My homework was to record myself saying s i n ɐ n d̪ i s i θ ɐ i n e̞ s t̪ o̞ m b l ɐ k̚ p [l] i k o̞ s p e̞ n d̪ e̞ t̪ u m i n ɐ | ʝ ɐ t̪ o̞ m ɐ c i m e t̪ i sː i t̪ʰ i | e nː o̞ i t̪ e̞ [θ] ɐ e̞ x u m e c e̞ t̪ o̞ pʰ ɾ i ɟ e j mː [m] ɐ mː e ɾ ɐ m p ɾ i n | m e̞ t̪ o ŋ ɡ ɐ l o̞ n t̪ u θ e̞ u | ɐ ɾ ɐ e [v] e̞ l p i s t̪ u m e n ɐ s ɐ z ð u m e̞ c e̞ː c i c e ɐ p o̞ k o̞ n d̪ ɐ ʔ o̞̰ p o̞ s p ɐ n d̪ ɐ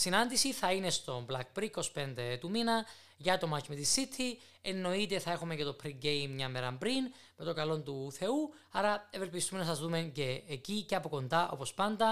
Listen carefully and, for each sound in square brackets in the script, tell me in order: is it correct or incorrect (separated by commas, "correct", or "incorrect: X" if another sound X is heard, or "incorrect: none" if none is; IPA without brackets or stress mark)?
incorrect: ɾ, correct, incorrect: ɲ, correct